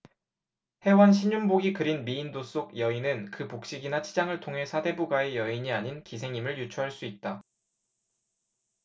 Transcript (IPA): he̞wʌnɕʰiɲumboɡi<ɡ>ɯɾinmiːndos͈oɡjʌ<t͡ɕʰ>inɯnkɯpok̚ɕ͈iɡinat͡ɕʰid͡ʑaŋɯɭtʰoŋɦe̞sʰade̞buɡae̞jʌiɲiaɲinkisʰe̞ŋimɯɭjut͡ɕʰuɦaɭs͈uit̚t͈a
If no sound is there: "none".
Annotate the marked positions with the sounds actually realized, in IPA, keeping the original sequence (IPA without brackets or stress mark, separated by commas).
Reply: k, none